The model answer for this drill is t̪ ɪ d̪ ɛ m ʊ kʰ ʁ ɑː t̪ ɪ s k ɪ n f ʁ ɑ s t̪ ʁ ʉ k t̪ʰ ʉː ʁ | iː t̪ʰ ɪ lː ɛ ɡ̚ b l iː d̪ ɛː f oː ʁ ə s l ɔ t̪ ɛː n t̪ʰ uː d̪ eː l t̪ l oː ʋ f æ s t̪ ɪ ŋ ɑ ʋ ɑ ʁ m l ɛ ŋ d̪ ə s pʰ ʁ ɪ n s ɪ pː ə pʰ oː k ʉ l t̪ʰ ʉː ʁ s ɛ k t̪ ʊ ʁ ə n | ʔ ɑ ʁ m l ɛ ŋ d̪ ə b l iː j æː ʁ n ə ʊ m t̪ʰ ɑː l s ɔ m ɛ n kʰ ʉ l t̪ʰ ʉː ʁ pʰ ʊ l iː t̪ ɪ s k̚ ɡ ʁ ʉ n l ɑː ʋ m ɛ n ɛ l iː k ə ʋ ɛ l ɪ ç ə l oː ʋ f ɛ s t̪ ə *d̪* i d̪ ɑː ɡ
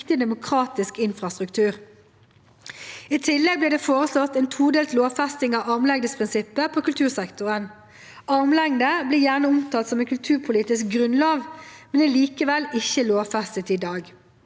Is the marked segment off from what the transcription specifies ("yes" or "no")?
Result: yes